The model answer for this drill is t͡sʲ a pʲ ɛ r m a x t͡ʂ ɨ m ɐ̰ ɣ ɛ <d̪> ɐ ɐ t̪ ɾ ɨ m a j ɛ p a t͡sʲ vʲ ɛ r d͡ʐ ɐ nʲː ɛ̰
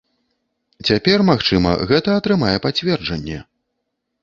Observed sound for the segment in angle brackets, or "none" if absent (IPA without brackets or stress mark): t̪